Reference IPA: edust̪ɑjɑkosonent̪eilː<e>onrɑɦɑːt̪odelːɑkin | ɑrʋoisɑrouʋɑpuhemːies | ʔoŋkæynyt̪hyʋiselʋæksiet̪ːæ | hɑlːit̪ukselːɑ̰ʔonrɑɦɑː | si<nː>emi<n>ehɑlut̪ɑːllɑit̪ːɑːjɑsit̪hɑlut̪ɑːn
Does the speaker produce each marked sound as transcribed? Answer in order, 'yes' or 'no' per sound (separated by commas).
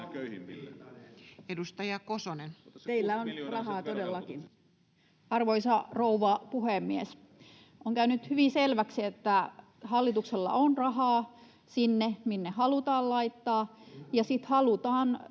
no, yes, no